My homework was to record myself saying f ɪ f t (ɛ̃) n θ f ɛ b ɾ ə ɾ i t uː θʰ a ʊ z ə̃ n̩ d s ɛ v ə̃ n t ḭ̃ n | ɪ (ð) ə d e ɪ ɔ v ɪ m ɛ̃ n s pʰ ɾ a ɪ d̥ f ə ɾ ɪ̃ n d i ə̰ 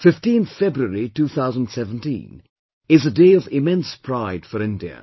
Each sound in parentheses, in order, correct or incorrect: incorrect: ĩ, incorrect: z

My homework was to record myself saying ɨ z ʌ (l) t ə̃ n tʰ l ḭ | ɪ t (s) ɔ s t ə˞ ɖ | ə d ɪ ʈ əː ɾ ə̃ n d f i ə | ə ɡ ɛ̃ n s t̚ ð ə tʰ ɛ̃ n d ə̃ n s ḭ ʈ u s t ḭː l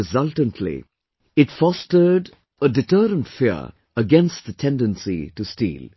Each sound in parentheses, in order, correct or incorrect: correct, incorrect: f

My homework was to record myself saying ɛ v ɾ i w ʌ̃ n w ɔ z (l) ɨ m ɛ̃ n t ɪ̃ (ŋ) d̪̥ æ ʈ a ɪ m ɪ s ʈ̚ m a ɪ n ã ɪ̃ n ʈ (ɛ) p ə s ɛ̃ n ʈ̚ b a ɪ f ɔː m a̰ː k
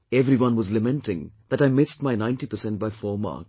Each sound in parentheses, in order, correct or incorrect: correct, correct, incorrect: i

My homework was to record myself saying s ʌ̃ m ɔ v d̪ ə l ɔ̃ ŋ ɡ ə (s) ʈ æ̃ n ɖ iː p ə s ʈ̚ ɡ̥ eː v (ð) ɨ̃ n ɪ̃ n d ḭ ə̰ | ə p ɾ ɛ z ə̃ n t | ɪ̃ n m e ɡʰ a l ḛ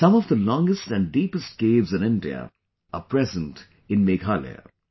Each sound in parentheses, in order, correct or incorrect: correct, incorrect: z

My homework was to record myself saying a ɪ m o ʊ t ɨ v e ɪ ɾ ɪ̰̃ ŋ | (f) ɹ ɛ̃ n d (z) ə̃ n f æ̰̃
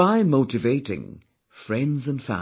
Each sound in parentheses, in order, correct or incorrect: correct, correct

